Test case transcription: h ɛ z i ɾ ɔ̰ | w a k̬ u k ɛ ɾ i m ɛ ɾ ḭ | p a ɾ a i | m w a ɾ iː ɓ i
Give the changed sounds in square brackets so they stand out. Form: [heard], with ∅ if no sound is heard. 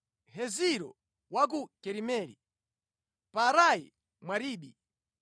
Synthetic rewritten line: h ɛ z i ɾ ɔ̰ | w a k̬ u k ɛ ɾ i m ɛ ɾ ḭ | p a ɾ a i | m w a ɾ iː ɓ i